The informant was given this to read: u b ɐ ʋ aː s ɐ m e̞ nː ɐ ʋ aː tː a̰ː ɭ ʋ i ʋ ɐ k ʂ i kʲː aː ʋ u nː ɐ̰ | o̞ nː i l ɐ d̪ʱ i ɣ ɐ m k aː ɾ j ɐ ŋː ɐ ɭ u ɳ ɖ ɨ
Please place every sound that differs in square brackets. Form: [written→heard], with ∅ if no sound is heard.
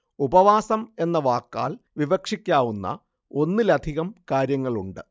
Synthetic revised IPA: u b ɐ ʋ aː s ɐ m e̞ nː ɐ ʋ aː [tː→kː] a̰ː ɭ ʋ i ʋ ɐ k ʂ i kʲː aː ʋ u nː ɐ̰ | o̞ nː i l ɐ d̪ʱ i ɣ ɐ m k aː ɾ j ɐ ŋː ɐ ɭ u ɳ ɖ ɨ